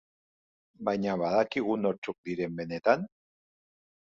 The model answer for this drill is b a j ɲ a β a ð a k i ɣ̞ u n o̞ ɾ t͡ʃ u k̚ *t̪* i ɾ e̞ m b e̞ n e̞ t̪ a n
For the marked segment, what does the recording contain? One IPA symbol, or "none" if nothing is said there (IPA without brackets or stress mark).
d̪